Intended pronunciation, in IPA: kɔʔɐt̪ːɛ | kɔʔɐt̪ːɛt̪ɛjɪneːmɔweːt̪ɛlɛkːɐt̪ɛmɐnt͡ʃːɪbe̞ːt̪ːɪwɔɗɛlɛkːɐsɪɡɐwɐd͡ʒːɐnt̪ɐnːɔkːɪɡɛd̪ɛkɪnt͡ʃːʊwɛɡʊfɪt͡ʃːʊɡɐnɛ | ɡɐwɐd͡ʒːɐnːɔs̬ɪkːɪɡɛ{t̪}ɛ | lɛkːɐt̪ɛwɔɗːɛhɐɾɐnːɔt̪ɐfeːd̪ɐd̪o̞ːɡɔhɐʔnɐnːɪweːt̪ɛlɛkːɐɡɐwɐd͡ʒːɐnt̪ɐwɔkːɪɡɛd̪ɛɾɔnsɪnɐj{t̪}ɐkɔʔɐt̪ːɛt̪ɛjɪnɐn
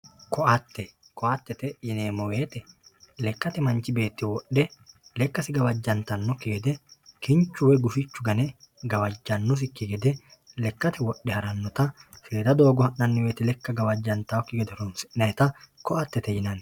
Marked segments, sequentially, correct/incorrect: incorrect: d̪, correct

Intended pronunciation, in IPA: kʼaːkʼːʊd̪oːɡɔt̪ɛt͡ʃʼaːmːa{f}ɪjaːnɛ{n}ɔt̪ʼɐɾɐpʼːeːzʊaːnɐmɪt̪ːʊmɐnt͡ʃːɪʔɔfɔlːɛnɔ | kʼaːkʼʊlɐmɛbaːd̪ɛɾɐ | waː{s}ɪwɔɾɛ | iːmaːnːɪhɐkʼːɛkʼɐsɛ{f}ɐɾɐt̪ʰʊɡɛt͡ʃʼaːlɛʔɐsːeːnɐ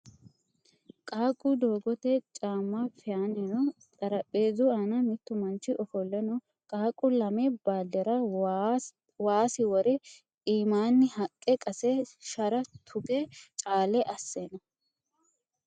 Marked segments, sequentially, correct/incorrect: correct, correct, correct, incorrect: ʃ

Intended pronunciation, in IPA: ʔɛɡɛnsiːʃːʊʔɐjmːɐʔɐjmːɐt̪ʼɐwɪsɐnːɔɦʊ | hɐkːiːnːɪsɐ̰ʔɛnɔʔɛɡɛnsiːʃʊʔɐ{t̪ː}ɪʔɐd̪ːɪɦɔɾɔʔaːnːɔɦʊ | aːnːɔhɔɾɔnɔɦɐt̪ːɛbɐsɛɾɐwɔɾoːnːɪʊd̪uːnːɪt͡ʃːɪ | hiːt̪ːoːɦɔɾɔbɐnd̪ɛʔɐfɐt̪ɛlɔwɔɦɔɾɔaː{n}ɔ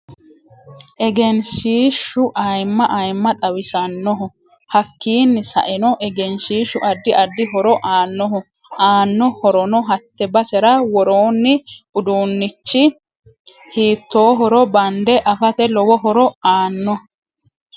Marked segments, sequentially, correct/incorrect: incorrect: d̪ː, incorrect: nː

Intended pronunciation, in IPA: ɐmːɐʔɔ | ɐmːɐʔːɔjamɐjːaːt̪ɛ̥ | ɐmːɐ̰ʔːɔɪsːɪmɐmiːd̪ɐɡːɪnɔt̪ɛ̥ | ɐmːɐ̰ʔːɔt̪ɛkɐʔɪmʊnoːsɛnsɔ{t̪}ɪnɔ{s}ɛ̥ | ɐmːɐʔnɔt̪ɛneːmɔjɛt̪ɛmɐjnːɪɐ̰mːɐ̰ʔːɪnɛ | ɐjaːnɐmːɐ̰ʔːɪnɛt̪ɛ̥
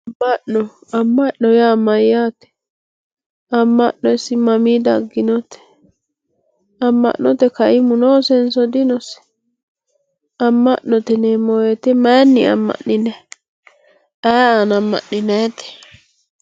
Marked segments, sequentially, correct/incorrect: incorrect: d̪, correct

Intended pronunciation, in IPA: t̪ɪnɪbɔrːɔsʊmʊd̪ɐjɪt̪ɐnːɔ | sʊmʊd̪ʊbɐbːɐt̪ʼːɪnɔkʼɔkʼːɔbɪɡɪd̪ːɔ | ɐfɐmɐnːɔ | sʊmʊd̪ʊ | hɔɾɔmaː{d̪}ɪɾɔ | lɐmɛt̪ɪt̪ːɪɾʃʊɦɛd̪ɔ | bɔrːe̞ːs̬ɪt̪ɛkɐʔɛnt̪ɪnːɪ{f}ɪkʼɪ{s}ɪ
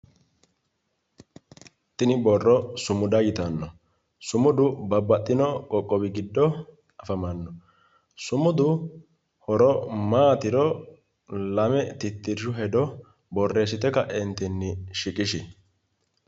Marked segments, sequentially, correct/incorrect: incorrect: t̪, incorrect: ʃ, incorrect: ʃ

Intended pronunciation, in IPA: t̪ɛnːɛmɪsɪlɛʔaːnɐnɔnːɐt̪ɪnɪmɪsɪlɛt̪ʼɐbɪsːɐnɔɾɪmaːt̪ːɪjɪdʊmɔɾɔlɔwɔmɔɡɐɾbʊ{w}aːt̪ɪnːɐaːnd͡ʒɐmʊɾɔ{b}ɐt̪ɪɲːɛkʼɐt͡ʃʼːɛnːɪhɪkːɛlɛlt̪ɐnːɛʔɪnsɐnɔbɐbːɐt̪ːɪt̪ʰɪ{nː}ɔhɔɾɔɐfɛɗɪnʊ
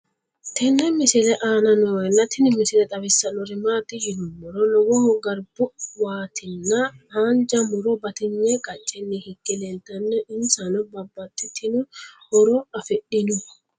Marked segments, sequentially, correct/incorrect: correct, correct, incorrect: n

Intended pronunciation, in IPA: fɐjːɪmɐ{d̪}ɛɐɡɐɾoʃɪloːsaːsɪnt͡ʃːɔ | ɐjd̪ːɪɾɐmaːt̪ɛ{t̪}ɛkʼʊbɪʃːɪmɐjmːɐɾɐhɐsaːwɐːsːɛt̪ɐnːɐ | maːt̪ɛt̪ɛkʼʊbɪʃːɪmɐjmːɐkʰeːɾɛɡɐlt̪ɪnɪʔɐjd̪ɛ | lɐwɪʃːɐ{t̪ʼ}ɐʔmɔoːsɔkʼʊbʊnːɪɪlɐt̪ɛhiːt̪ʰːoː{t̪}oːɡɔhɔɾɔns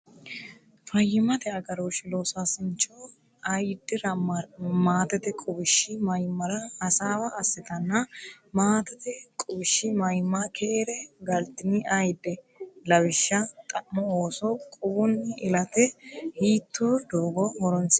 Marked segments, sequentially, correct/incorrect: incorrect: t̪, correct, correct, incorrect: d̪

